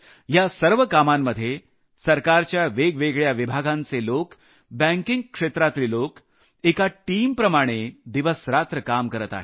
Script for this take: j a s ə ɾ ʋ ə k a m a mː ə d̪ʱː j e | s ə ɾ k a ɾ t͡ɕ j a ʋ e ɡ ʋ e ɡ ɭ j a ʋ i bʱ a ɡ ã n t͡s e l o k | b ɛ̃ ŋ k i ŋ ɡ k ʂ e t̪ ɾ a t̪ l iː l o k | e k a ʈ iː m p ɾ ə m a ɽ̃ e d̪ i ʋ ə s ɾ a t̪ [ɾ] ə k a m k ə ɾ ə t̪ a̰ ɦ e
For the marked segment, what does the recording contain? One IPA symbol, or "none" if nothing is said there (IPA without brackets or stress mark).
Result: ɾ